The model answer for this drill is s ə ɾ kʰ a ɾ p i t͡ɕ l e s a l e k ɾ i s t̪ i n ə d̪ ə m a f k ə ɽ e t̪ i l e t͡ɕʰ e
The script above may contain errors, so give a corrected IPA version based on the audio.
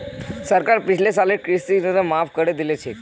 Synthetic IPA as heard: s ə ɾ k a ɾ p i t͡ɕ l e s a l e k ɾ i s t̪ i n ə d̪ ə m a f k ə ɽ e d̪ i l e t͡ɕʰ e